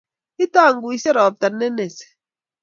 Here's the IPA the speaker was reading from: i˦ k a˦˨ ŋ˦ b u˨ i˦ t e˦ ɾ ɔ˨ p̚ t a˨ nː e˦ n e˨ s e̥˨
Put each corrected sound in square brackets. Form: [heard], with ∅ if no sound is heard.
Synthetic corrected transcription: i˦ [t] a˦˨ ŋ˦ [ɡ] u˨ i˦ [s] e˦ ɾ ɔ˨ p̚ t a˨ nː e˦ n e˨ s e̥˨